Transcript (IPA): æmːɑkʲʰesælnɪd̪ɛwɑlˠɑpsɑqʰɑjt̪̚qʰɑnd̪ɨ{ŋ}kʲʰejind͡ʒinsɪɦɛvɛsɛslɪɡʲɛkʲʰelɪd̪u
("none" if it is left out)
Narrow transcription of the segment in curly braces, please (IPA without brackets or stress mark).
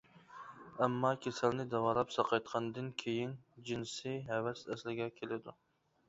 n